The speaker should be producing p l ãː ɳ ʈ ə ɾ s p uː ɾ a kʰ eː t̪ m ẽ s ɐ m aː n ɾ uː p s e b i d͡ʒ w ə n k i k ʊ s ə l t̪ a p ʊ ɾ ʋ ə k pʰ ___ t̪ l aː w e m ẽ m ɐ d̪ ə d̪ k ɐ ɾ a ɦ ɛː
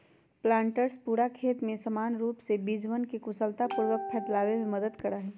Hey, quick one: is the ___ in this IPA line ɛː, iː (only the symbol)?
ɛː